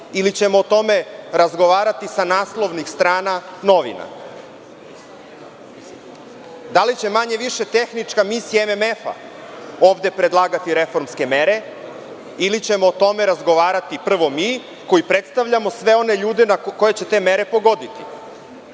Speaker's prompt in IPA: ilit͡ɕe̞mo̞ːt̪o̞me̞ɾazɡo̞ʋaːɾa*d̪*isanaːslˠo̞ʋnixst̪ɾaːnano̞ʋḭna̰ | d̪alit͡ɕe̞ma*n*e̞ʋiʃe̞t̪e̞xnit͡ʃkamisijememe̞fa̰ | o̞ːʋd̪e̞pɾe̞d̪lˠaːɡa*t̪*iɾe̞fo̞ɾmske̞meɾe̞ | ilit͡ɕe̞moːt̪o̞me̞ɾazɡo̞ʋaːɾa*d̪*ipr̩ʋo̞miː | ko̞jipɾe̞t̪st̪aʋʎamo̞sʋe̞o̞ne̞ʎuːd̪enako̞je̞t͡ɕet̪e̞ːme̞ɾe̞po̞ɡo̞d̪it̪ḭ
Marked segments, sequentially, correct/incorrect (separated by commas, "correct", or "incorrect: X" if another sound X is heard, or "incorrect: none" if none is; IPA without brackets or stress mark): incorrect: t̪, incorrect: ɲ, correct, incorrect: t̪